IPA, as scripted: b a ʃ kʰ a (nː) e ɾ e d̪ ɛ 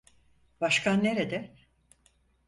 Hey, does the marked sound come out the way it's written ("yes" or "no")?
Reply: yes